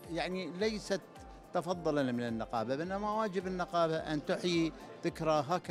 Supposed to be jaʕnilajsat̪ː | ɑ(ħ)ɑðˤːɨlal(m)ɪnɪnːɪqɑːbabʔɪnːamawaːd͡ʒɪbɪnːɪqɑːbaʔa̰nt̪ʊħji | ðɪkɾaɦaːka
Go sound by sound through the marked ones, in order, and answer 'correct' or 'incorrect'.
incorrect, correct

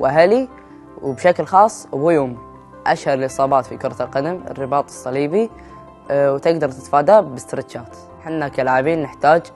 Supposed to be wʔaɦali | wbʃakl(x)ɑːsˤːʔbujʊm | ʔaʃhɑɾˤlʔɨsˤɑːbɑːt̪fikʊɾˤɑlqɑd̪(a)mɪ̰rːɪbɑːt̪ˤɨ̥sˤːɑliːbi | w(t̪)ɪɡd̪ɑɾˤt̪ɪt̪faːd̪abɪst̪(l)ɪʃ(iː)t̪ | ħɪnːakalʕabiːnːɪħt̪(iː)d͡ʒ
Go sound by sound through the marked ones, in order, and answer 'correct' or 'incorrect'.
correct, correct, correct, incorrect, incorrect, incorrect

